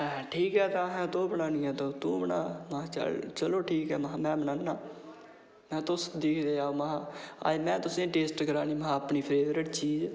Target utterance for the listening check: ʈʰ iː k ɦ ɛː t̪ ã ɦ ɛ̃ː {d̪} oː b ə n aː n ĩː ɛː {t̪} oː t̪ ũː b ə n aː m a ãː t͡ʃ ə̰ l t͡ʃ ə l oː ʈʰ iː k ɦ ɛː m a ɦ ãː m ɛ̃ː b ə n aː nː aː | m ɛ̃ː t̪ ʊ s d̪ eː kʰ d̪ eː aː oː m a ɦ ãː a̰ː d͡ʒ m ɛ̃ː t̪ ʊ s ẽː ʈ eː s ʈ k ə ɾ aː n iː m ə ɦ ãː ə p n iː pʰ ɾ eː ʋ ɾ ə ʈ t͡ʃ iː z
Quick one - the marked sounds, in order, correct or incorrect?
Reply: incorrect, correct

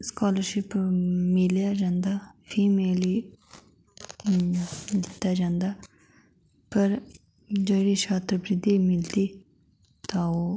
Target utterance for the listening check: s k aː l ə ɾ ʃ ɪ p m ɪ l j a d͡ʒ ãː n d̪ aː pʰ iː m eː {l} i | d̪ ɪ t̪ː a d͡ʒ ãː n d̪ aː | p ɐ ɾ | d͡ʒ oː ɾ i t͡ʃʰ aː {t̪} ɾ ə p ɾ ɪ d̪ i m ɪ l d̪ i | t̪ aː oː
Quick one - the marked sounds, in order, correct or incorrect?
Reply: correct, correct

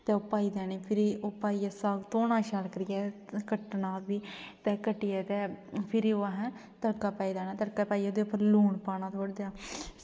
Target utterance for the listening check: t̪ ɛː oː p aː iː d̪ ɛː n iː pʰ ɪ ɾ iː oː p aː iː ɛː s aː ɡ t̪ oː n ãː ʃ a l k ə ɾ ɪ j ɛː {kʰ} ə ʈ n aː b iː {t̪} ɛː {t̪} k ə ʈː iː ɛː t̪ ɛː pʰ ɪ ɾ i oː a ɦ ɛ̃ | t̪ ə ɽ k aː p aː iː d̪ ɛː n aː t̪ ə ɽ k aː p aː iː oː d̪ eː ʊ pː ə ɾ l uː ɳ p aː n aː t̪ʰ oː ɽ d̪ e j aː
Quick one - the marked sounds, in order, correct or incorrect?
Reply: incorrect, correct, incorrect

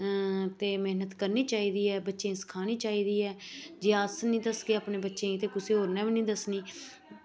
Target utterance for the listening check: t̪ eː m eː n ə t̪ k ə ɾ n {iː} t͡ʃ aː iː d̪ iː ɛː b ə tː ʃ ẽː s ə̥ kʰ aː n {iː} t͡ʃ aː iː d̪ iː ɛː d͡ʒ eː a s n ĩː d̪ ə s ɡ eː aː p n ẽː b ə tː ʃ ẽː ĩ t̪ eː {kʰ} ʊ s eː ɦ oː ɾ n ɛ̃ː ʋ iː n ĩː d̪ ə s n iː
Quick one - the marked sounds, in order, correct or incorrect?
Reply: correct, correct, incorrect

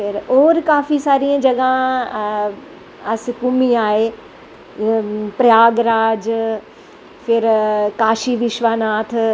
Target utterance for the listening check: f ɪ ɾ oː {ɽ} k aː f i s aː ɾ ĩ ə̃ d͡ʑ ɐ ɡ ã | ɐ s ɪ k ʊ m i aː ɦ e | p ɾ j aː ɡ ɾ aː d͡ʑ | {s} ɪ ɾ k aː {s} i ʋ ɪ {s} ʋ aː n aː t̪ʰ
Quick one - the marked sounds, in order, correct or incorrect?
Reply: incorrect, incorrect, incorrect, incorrect

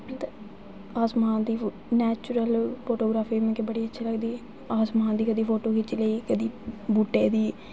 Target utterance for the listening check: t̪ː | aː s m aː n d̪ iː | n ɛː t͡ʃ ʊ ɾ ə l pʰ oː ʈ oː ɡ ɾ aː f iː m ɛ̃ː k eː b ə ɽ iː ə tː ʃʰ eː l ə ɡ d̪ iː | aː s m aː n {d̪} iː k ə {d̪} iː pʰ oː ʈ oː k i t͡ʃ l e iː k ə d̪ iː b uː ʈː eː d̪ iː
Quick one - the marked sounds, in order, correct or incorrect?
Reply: correct, correct

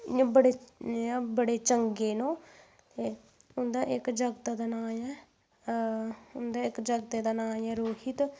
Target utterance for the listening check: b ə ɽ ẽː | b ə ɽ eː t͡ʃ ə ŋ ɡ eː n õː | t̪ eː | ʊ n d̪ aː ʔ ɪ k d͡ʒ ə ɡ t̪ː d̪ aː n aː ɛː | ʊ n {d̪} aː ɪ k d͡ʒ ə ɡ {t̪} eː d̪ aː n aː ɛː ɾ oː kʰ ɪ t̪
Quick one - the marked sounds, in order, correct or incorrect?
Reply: correct, correct

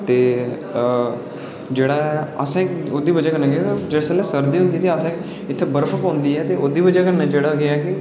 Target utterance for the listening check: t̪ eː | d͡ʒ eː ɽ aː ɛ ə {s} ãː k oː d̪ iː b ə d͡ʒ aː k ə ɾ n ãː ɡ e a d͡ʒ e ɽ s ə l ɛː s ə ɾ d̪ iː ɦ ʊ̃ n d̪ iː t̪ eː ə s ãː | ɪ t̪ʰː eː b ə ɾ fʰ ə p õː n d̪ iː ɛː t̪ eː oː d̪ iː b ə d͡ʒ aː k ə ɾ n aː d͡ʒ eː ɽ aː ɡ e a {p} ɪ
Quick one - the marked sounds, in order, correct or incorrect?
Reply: correct, incorrect

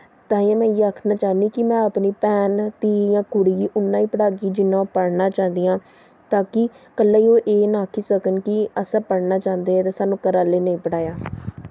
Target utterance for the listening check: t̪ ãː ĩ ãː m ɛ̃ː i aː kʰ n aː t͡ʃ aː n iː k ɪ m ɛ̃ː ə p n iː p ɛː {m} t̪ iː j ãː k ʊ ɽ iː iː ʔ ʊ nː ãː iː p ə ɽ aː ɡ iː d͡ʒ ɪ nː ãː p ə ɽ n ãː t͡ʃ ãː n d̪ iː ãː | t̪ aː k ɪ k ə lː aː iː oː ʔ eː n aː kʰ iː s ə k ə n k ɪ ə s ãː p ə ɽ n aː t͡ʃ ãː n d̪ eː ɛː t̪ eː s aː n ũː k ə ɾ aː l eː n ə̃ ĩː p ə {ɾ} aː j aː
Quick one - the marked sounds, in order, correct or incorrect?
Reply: incorrect, incorrect

